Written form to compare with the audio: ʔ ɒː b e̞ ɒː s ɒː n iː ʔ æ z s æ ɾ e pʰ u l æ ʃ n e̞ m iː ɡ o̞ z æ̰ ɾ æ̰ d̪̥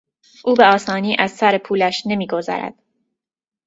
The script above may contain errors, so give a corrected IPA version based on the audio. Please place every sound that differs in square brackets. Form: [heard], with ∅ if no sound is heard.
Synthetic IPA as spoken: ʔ [uː] b e̞ ɒː s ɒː n iː ʔ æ z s æ ɾ e pʰ [uː] l æ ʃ n e̞ m iː ɡ o̞ z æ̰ ɾ æ̰ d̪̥